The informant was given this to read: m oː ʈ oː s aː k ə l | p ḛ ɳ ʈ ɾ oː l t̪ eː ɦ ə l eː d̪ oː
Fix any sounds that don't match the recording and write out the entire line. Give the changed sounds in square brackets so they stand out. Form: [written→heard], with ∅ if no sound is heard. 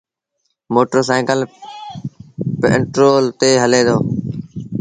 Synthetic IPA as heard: m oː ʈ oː s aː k ə l | p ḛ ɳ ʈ ɾ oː l t̪ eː ɦ ə l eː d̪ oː

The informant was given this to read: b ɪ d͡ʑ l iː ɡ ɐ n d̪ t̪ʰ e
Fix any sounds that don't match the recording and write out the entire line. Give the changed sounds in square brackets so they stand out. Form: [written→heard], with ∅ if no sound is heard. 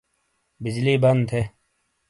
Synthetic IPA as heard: b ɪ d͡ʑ l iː [ɡ→b] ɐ n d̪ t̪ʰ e

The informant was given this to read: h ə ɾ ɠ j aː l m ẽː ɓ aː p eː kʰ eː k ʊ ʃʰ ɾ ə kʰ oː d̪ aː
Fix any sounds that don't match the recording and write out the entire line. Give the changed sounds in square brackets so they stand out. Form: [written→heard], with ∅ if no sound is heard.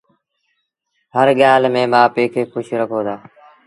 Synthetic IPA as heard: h ə ɾ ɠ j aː l m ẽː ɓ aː p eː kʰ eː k ʊ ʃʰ ɾ ə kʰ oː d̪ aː

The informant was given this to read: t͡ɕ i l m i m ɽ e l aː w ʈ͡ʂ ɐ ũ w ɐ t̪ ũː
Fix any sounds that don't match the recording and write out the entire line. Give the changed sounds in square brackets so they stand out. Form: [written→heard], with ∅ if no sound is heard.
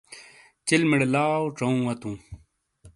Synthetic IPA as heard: t͡ɕ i l m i [m→∅] ɽ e l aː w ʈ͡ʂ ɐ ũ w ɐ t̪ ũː

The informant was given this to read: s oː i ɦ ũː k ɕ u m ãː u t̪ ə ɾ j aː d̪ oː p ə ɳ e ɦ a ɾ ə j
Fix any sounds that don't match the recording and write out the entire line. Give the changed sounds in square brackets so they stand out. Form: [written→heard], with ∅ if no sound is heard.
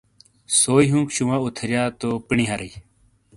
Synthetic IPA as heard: s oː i ɦ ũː k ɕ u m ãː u [t̪→t̪ʰ] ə ɾ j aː [d̪→t̪] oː p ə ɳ [e→i] ɦ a ɾ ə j

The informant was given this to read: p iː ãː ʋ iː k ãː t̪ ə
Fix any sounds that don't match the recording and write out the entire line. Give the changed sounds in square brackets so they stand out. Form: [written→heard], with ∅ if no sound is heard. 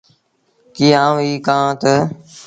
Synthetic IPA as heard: [p→k] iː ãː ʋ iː k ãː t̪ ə

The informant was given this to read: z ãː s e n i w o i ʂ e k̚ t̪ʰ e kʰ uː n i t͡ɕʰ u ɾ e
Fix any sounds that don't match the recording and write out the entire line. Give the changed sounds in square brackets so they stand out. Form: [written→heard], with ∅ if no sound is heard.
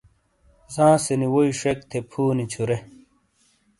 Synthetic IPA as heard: z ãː s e n i w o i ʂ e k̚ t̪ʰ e [kʰ→pʰ] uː n i t͡ɕʰ u ɾ e

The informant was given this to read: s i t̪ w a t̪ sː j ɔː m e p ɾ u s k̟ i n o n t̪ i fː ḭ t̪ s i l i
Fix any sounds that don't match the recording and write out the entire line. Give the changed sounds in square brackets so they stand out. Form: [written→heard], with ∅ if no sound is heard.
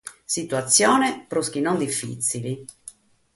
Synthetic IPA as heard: s i t̪ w a t̪ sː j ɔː [m→n] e p ɾ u s k̟ i n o n [t̪→d̪] i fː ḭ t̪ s i l i

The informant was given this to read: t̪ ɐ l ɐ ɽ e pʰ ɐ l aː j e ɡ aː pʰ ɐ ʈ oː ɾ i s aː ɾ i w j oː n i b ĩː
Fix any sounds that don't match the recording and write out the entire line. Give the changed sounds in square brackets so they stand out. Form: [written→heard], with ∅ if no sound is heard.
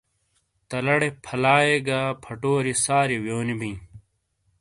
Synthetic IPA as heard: t̪ ɐ l ɐ ɽ e pʰ ɐ l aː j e ɡ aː pʰ ɐ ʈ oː ɾ i s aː ɾ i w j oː n i b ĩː

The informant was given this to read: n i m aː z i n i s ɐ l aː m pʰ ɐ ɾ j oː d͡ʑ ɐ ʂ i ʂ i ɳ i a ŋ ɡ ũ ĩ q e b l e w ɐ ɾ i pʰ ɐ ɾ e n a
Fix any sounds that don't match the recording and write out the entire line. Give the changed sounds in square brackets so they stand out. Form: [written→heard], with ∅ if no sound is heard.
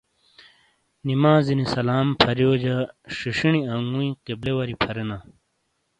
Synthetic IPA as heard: n i m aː z i n i s ɐ l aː m pʰ ɐ ɾ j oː d͡ʑ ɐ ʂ i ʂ i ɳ i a ŋ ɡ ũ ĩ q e b l e w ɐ ɾ i pʰ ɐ ɾ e n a

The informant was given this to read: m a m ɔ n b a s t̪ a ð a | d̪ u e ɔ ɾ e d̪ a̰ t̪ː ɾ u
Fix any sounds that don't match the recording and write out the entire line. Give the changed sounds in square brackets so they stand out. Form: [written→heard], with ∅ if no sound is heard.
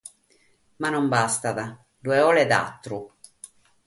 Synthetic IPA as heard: m a [m→n] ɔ [n→m] b a s t̪ a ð a | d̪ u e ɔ [ɾ→l] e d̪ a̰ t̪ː ɾ u

